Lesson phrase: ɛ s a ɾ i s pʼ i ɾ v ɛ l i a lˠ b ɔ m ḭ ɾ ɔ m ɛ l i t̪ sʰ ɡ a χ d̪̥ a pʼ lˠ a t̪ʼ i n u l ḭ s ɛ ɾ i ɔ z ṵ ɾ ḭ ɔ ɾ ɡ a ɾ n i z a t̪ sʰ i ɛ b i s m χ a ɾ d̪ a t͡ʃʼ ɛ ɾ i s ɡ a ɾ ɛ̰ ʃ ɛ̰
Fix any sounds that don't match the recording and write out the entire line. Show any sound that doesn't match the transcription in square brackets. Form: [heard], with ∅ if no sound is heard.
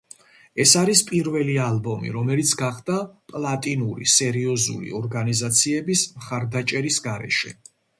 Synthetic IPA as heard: ɛ s a ɾ i s pʼ i ɾ v ɛ l i a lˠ b ɔ m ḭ ɾ ɔ m ɛ l i t̪ sʰ ɡ a χ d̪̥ a pʼ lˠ a t̪ʼ i n u [ɾ] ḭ s ɛ ɾ i ɔ z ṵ [l] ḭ ɔ ɾ ɡ a [∅] n i z a t̪ sʰ i ɛ b i s m χ a ɾ d̪ a t͡ʃʼ ɛ ɾ i s ɡ a ɾ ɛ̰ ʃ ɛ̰

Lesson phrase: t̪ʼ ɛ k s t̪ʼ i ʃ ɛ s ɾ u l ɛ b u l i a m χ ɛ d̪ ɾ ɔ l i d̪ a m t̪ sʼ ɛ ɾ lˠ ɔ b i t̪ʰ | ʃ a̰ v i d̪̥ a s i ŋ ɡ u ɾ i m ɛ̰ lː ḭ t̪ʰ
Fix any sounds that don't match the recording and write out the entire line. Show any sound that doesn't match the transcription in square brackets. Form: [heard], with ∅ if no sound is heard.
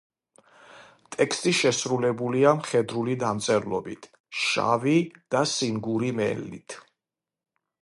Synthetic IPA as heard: t̪ʼ ɛ k s t̪ʼ i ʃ ɛ s ɾ u l ɛ b u l i a m χ ɛ d̪ ɾ [u] l i d̪ a m t̪ sʼ ɛ ɾ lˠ ɔ b i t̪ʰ | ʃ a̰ v i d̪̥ a s i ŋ ɡ u ɾ i m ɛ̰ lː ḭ t̪ʰ

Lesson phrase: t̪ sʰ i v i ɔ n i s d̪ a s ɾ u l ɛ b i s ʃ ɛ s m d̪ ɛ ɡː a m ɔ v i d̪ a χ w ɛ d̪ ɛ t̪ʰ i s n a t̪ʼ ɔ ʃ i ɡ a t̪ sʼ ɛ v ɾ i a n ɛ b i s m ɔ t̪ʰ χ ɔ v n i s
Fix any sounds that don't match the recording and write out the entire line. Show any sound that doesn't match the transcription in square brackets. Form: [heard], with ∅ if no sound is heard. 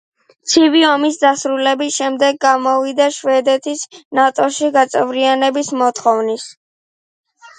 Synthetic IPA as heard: t̪ sʰ i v i ɔ [m] i s d̪ a s ɾ u l ɛ b i s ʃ ɛ [∅] m d̪ ɛ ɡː a m ɔ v i d̪ a [ʃ] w ɛ d̪ ɛ t̪ʰ i s n a t̪ʼ ɔ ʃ i ɡ a t̪ sʼ ɛ v ɾ i a n ɛ b i s m ɔ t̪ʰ χ ɔ v n i s

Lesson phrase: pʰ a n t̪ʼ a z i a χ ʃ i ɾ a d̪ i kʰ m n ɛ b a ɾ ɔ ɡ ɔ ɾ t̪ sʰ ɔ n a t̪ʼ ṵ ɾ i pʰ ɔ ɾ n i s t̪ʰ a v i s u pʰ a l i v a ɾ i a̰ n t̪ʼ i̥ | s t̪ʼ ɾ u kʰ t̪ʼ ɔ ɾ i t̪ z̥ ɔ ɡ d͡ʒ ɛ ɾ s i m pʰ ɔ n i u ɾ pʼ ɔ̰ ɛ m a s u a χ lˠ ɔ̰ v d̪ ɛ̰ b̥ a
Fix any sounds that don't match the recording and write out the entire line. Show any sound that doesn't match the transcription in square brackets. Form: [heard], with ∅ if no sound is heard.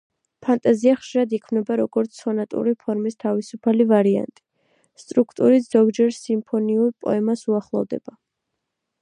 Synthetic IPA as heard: pʰ a n t̪ʼ a z i a χ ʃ i ɾ a d̪ i kʰ m n ɛ b a ɾ ɔ ɡ ɔ ɾ t̪ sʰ ɔ n a t̪ʼ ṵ ɾ i pʰ ɔ ɾ [m] i s t̪ʰ a v i s u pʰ a l i v a ɾ i a̰ n t̪ʼ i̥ | s t̪ʼ ɾ u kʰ t̪ʼ [u] ɾ i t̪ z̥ ɔ ɡ d͡ʒ ɛ ɾ s i m pʰ ɔ n i u ɾ pʼ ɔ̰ ɛ m a s u a χ lˠ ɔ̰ v d̪ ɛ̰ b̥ a

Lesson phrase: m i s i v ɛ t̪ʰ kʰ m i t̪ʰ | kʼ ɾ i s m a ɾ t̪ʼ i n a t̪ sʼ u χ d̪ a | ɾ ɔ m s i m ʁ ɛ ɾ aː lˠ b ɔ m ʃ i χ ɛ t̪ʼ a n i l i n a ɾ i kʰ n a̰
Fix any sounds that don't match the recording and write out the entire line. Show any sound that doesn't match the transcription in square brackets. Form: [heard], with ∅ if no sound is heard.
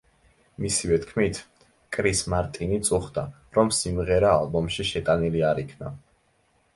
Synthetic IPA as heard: m i s i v ɛ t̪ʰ kʰ m i t̪ʰ | kʼ ɾ i s m a ɾ t̪ʼ i n [i] t̪ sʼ u χ d̪ a | ɾ ɔ m s i m ʁ ɛ ɾ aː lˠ b ɔ m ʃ i [ʃ] ɛ t̪ʼ a n i l i [∅] a ɾ i kʰ n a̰

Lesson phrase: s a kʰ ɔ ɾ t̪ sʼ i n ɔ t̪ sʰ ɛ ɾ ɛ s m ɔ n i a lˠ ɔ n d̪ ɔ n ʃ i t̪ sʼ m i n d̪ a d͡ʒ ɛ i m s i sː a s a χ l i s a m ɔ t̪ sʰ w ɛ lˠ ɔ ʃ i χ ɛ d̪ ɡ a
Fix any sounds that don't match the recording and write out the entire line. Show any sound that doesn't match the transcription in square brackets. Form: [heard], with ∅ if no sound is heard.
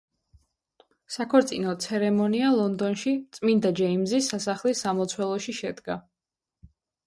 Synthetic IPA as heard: s a kʰ ɔ ɾ t̪ sʼ i n ɔ t̪ sʰ ɛ ɾ ɛ [∅] m ɔ n i a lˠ ɔ n d̪ ɔ n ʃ i t̪ sʼ m i n d̪ a d͡ʒ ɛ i m [z] i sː a s a χ l i s a m ɔ t̪ sʰ w ɛ lˠ ɔ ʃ i [ʃ] ɛ d̪ ɡ a

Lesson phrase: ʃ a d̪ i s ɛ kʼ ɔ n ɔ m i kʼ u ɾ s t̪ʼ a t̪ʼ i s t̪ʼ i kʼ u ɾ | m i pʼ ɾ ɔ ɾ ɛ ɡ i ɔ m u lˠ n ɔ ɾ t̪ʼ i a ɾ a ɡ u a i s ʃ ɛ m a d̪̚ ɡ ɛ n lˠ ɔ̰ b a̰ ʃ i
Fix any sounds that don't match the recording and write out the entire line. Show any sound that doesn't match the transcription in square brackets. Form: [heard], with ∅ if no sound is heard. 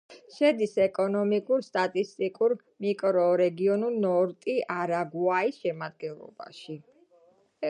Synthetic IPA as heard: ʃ [ɛ] d̪ i s ɛ kʼ ɔ n ɔ m i kʼ u ɾ s t̪ʼ a t̪ʼ i s t̪ʼ i kʼ u ɾ | m i [kʼ] ɾ ɔ ɾ ɛ ɡ i ɔ [n] u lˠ n ɔ ɾ t̪ʼ i a ɾ a ɡ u a i s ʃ ɛ m a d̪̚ ɡ ɛ n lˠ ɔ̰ b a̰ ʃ i

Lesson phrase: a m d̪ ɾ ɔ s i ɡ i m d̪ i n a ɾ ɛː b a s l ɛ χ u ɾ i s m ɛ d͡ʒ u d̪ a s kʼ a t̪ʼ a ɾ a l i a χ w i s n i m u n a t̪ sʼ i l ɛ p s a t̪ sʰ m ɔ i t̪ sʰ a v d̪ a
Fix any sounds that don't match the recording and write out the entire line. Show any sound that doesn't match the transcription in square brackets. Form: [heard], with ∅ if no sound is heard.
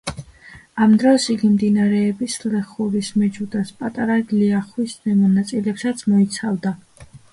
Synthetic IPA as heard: a m d̪ ɾ ɔ s i ɡ i m d̪ i n a ɾ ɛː b [i] s l ɛ χ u ɾ i s m ɛ d͡ʒ u d̪ a s [pʼ] a t̪ʼ a ɾ a l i a χ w i s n [ɛ] m [ɔ] n a t̪ sʼ i l ɛ p s a t̪ sʰ m ɔ i t̪ sʰ a v d̪ a

